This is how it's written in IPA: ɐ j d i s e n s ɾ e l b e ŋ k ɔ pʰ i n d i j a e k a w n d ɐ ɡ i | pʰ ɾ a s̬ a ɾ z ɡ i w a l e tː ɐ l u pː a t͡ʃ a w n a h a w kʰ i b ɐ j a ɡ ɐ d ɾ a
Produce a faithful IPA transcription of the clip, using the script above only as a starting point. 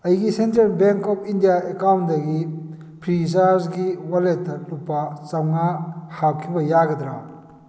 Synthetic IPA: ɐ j ɡ i s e n t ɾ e l b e ŋ k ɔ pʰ i n d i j a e k a w n d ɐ ɡ i | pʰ ɾ i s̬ a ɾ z ɡ i w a l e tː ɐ l u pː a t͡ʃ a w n a h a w kʰ i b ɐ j a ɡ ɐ d ɾ a